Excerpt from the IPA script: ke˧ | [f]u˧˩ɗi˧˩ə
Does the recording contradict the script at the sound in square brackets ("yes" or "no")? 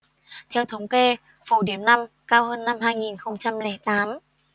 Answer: no